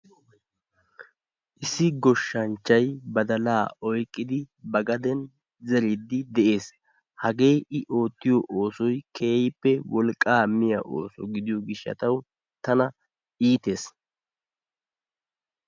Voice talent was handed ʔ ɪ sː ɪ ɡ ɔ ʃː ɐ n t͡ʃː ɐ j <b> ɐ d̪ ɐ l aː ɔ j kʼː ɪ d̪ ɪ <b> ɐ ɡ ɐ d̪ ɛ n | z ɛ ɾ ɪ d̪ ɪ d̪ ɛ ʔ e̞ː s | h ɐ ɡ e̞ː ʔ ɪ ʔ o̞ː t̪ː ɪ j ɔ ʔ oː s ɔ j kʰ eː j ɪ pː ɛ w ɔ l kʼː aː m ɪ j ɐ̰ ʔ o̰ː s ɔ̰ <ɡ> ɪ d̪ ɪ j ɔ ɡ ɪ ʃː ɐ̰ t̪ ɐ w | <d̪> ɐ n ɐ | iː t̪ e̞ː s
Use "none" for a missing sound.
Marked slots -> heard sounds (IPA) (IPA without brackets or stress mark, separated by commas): b, b, ɡ, t̪